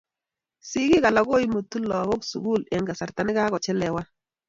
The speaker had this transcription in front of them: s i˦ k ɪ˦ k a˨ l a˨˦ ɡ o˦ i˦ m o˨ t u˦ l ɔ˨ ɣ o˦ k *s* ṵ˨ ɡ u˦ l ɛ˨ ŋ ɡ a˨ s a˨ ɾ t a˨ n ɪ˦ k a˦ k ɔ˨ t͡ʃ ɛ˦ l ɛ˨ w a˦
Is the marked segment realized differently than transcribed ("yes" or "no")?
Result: no